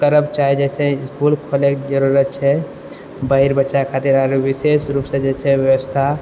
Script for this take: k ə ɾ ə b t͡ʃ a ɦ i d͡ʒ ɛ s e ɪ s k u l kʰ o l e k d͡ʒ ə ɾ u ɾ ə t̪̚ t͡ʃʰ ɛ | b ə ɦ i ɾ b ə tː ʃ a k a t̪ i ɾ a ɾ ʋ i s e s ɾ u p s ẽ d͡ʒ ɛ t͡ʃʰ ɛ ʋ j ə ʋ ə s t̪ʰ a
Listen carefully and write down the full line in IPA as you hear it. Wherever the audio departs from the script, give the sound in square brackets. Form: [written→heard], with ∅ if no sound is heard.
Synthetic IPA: k ə ɾ ə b t͡ʃ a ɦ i d͡ʒ ɛ s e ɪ s k u l kʰ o l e k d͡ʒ ə ɾ u ɾ ə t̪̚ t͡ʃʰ ɛ | b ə ɦ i ɾ b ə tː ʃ a [k→kʰ] a t̪ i ɾ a ɾ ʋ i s e s ɾ u p s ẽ d͡ʒ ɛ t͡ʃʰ ɛ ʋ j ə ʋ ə s t̪ʰ a